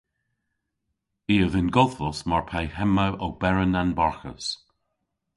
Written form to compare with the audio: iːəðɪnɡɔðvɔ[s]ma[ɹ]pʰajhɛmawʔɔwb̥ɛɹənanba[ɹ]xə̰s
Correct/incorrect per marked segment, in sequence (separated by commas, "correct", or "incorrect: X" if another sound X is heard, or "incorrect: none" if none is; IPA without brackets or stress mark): correct, correct, correct